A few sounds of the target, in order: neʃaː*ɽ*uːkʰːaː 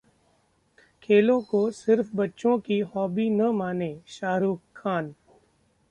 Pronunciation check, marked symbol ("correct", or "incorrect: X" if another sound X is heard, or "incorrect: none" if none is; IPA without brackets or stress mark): incorrect: ɾ